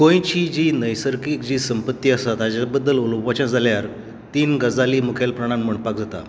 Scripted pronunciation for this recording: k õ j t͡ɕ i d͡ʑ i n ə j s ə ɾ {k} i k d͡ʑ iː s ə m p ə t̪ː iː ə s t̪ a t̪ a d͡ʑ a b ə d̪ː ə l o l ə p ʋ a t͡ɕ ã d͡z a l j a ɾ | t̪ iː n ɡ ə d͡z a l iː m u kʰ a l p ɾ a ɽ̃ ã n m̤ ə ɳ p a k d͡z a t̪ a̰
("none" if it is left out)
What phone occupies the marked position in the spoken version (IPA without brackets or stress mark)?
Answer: k